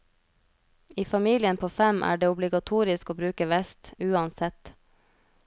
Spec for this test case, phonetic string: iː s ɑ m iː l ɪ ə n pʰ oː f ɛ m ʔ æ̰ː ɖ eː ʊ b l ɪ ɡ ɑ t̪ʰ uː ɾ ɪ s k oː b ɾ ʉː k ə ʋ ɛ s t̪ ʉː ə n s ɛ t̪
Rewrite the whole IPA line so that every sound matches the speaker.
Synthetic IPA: iː f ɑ m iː l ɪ ə n pʰ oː f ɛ m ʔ æ̰ː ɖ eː ʊ b l ɪ ɡ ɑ t̪ʰ uː ɾ ɪ s k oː b ɾ ʉː k ə ʋ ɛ s t̪ ʉː ɑ n s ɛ t̪